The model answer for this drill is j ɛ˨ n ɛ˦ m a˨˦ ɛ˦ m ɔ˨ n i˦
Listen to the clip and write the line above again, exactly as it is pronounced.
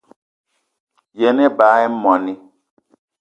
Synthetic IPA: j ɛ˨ n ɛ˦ b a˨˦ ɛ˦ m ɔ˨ n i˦